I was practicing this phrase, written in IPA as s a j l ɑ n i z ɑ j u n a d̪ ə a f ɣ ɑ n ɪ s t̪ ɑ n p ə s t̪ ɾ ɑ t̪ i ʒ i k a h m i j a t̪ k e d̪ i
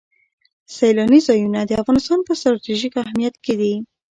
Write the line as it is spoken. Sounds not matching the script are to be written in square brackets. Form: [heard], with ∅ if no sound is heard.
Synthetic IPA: s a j l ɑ n i z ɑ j u n a d̪ ə a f ɣ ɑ n ɪ s t̪ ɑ n p ə s t̪ ɾ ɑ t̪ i ʒ i k a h m i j a t̪ k e d̪ i